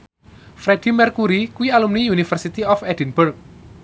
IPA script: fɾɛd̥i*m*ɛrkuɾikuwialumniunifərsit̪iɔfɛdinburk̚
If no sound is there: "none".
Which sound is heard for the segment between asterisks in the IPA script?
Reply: m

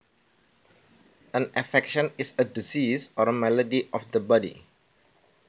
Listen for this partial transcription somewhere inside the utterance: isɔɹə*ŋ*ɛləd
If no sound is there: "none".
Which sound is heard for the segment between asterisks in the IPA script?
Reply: m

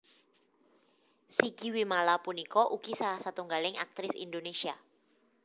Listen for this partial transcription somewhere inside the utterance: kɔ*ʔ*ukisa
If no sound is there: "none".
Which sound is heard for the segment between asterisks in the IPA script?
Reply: ʔ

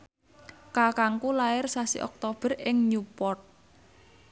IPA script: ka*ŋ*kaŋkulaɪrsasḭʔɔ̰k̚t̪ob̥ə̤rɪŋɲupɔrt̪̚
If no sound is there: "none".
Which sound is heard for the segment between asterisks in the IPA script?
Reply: none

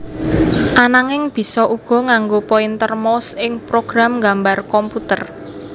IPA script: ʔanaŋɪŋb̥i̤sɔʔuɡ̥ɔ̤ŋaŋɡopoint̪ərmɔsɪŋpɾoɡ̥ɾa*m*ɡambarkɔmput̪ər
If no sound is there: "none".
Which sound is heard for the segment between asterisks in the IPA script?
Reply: m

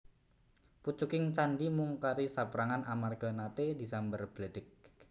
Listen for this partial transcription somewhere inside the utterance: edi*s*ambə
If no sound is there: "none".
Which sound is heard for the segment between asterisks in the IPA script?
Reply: s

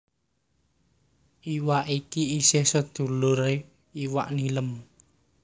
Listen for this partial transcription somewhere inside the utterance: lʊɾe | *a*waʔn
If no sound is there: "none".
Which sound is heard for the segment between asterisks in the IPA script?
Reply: i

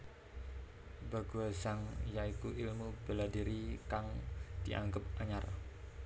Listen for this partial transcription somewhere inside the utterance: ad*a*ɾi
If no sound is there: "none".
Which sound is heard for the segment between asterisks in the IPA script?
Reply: i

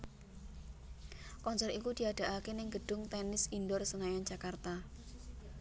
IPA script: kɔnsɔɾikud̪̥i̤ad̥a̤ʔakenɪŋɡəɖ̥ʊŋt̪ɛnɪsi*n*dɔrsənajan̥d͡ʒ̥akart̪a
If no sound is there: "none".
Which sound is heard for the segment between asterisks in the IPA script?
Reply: n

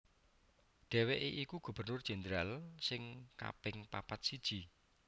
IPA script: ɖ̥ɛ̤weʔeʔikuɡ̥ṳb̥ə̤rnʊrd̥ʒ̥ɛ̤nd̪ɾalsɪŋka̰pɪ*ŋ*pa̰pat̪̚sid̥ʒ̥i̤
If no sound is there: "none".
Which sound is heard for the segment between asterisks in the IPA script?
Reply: ŋ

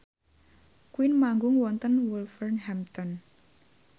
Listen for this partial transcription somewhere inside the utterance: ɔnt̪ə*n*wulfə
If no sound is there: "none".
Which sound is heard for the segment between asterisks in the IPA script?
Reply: n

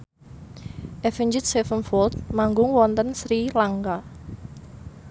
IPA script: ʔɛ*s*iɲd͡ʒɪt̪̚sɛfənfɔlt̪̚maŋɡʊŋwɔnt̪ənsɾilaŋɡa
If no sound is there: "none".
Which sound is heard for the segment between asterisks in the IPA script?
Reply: f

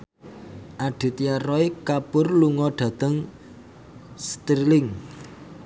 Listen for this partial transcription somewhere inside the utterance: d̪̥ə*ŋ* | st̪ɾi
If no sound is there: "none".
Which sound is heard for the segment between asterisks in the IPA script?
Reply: ŋ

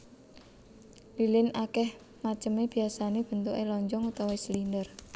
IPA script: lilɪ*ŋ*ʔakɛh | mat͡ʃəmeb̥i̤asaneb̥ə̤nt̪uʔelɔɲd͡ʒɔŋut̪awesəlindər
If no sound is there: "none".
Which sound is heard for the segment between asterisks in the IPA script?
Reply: n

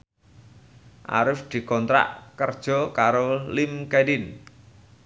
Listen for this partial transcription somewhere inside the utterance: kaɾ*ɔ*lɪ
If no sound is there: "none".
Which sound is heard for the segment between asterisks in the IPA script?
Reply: o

